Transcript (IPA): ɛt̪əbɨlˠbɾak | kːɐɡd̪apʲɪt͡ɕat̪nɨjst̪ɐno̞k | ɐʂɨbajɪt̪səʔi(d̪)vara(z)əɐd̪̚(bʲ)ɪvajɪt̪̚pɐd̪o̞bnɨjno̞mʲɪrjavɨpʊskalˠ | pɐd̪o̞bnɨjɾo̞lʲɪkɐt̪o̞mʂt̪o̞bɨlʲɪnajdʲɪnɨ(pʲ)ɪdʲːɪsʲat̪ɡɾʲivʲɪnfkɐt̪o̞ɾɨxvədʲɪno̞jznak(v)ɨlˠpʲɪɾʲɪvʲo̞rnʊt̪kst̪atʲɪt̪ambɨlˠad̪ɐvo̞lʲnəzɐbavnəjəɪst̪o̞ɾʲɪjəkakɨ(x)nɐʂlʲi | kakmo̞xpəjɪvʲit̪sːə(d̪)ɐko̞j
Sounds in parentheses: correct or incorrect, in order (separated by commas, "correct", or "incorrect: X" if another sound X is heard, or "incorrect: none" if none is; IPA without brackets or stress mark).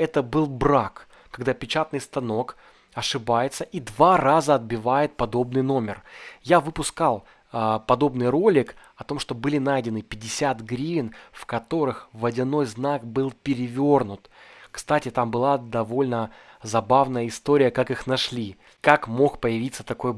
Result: correct, correct, correct, correct, incorrect: b, correct, incorrect: t̪